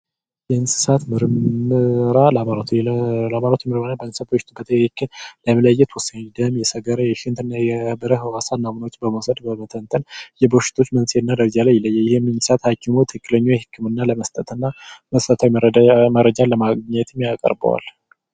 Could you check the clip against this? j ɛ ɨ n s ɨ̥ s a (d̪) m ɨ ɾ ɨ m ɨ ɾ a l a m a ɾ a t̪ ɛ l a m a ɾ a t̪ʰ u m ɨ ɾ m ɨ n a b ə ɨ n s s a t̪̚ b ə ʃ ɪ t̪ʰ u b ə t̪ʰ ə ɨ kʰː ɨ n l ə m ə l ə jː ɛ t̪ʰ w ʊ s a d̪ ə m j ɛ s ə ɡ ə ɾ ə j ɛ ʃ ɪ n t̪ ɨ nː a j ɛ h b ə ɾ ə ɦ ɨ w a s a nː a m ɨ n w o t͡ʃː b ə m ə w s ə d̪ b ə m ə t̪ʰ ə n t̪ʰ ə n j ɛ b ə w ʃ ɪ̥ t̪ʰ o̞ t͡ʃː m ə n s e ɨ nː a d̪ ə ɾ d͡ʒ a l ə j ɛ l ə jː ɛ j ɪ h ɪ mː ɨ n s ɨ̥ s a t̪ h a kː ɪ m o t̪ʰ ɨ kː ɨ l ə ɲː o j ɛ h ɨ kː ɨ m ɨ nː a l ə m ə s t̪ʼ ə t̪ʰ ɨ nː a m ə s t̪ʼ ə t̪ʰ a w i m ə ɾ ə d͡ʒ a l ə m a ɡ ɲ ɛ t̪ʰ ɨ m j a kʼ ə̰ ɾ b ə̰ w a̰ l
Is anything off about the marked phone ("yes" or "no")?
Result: yes